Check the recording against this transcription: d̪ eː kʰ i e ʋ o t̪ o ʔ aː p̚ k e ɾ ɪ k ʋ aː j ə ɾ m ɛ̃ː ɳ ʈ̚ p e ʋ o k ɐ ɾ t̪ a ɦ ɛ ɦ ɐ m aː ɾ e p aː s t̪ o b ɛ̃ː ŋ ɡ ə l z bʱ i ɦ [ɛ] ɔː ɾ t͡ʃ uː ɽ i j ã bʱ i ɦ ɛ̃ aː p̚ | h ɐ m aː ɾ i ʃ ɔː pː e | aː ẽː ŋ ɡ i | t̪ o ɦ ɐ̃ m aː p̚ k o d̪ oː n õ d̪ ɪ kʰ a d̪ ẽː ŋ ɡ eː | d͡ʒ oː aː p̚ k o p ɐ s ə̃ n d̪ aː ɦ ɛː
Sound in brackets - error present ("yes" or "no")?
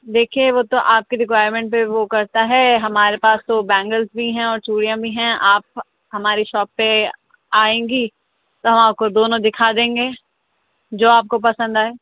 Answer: yes